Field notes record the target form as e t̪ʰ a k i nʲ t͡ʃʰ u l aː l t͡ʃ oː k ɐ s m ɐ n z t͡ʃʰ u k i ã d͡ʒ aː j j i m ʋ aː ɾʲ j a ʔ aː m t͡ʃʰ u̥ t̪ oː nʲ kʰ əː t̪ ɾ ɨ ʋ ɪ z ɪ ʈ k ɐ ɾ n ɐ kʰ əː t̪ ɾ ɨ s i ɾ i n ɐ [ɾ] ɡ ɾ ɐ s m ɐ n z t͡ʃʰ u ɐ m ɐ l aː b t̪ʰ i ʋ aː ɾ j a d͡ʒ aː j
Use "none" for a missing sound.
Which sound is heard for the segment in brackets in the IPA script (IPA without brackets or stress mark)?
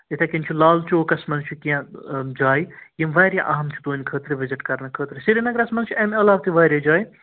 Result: none